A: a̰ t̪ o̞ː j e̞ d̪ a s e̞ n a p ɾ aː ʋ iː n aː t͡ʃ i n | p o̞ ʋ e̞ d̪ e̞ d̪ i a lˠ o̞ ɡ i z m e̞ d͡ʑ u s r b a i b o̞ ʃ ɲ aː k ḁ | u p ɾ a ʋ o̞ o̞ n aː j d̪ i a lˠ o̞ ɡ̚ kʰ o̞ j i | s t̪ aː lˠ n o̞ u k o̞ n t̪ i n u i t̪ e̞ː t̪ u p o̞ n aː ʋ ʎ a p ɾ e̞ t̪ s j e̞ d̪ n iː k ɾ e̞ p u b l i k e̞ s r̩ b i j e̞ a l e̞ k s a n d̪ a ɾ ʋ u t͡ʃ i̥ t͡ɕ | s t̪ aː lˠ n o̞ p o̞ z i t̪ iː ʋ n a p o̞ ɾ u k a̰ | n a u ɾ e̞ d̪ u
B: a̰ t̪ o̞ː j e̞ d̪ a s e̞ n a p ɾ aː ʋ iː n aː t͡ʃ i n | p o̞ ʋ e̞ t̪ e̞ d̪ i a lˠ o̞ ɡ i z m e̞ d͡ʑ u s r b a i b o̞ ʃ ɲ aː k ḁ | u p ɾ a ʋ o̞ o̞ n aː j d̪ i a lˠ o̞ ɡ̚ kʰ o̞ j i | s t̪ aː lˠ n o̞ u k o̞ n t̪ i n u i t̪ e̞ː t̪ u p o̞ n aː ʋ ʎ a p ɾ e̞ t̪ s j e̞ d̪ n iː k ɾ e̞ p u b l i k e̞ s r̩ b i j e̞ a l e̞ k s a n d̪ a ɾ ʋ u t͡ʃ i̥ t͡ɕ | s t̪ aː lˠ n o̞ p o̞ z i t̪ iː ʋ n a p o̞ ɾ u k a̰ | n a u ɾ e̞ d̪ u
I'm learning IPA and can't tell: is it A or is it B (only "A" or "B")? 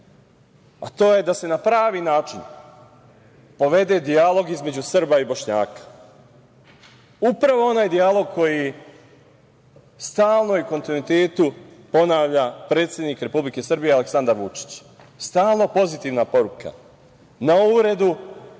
A